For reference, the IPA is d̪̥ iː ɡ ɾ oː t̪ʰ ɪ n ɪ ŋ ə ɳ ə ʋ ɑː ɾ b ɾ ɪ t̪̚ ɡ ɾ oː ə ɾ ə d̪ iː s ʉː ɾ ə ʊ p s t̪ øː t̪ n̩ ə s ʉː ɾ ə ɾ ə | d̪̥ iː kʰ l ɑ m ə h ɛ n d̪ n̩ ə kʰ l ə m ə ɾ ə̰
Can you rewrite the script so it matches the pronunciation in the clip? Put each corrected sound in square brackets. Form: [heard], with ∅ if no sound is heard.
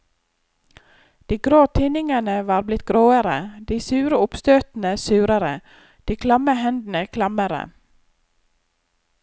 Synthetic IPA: d̪̥ iː ɡ ɾ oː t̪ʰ ɪ n ɪ ŋ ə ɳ ə ʋ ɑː ɾ b [l] ɪ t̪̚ ɡ ɾ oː ə ɾ ə d̪ iː s ʉː ɾ ə ʊ p s t̪ øː t̪ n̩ ə s ʉː ɾ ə ɾ ə | d̪̥ iː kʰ l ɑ m ə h ɛ n d̪ n̩ ə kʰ l [ɑ] m ə ɾ ə̰